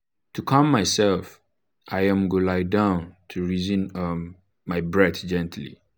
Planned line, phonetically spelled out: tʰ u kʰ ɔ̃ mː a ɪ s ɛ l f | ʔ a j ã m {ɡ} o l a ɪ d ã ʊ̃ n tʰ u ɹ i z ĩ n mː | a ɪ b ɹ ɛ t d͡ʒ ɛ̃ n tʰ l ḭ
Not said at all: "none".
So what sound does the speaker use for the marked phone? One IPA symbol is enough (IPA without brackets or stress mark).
ɡ